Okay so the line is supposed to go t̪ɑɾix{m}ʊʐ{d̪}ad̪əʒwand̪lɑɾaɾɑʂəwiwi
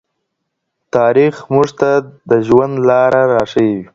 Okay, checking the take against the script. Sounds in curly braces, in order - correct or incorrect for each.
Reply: correct, incorrect

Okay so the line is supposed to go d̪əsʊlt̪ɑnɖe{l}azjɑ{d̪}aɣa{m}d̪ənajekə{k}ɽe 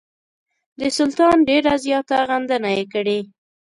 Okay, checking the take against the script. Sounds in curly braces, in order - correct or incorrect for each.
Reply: incorrect, incorrect, incorrect, incorrect

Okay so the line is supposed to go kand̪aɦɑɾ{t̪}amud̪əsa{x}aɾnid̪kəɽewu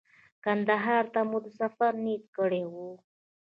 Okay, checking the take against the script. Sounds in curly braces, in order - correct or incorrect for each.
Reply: correct, incorrect

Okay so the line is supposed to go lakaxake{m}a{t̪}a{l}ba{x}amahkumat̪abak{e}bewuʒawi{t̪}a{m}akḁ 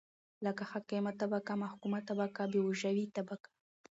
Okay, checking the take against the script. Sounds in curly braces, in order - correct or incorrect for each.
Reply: correct, correct, incorrect, incorrect, incorrect, correct, incorrect

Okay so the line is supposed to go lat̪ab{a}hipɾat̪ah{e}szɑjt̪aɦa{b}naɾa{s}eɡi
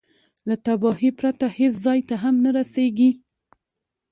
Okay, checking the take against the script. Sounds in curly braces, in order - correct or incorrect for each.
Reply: incorrect, correct, incorrect, correct

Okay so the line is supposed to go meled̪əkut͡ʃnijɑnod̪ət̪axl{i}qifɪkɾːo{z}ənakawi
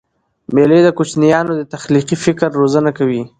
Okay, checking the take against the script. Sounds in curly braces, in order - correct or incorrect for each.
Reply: correct, correct

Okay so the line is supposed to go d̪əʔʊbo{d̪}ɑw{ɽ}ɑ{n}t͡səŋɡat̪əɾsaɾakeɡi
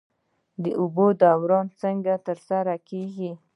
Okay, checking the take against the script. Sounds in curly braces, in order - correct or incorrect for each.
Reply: correct, incorrect, correct

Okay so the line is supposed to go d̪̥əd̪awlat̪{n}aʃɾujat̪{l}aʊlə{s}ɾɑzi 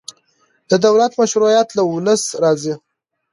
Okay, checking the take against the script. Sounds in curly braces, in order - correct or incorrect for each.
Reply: incorrect, correct, correct

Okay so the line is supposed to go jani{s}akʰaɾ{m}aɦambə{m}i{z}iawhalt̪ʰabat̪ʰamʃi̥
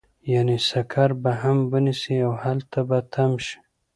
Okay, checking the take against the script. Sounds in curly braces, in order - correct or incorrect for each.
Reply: correct, incorrect, incorrect, incorrect

